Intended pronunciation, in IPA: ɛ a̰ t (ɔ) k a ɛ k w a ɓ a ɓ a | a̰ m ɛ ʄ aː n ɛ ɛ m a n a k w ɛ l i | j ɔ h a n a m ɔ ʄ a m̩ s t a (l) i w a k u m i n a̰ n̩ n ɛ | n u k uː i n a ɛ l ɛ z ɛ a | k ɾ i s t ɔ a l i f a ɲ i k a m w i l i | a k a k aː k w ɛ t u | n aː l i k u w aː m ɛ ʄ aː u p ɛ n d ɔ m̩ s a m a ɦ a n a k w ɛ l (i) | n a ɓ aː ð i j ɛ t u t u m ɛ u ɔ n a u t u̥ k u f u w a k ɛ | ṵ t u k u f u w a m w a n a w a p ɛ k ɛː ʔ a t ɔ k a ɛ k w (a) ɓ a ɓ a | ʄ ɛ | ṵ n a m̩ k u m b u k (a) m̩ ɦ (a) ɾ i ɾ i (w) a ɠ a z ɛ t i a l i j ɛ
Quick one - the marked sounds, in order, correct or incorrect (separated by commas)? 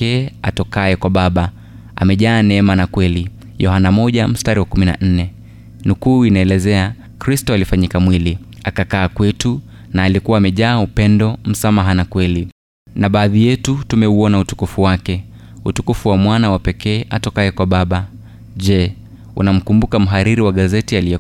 correct, incorrect, correct, correct, correct, correct, correct